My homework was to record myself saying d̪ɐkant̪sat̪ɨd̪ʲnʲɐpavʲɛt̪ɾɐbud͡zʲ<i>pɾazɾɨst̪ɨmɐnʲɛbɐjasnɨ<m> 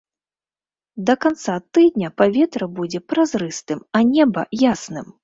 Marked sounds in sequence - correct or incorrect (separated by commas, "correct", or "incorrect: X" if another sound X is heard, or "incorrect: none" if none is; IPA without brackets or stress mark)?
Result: incorrect: ɛ, correct